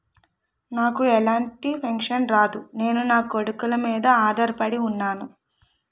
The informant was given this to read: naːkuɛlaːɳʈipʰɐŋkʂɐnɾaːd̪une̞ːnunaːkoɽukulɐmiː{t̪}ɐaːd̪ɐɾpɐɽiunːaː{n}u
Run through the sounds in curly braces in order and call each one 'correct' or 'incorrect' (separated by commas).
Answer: incorrect, correct